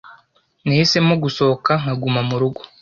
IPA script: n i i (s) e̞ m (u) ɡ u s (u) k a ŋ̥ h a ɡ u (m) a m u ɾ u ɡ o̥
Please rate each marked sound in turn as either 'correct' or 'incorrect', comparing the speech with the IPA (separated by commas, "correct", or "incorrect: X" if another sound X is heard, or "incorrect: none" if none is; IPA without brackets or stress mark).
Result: correct, incorrect: o, incorrect: o, correct